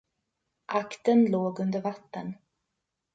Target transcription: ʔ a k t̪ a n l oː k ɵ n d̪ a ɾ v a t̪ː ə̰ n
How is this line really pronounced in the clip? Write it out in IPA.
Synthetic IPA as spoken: ʔ a k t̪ ə n l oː ɡ ɵ n d̪ ə ɾ v a t̪ː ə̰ n